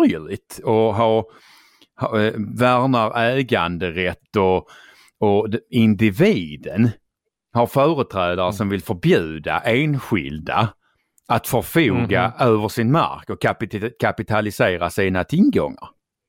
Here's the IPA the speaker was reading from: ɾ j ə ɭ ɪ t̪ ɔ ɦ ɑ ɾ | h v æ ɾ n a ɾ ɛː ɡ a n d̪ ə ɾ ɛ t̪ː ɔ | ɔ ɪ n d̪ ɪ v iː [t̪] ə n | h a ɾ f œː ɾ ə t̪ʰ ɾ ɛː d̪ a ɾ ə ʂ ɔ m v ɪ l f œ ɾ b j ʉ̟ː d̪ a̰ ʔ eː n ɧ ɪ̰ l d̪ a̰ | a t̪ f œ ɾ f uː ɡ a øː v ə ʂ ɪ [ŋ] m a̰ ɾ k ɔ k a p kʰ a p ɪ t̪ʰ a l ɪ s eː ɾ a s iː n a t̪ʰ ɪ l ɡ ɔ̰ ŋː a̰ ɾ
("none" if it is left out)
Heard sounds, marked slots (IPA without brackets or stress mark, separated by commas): d̪, n